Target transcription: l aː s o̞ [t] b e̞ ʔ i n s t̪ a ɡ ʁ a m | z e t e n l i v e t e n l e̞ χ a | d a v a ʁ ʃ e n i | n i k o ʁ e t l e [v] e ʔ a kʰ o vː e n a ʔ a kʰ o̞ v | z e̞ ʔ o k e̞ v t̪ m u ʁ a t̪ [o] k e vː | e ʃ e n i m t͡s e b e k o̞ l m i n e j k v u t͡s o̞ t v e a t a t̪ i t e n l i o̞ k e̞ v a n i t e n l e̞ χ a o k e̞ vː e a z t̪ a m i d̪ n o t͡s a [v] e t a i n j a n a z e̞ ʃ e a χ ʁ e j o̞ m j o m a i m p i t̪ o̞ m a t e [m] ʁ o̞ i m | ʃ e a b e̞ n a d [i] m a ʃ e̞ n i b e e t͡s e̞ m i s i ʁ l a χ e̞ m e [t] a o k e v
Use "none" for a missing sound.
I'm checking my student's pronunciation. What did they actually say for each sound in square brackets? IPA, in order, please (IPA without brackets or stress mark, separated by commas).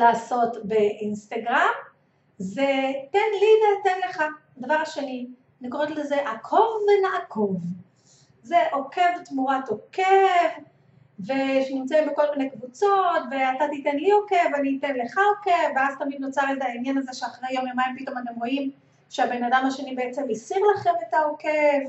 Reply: t, z, o, ʁ, m, a, t